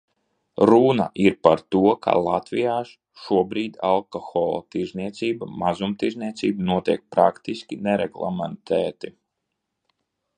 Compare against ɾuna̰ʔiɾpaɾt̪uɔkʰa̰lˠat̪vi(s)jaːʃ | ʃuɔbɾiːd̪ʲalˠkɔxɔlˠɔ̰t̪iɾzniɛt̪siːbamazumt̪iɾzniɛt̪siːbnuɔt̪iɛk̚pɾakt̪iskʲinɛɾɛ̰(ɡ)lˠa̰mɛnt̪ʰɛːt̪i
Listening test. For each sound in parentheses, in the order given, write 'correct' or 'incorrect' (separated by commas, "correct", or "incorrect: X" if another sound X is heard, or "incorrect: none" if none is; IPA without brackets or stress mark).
incorrect: none, correct